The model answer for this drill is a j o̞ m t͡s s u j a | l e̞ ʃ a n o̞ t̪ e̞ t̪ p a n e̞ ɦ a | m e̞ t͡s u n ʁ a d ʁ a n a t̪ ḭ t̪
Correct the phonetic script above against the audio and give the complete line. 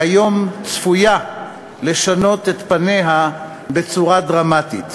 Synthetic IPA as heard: a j o̞ m t͡s f u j a | l e̞ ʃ a n o̞ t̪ e̞ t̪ p a n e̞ ɦ a | b e̞ t͡s u ʁ a d ʁ a m a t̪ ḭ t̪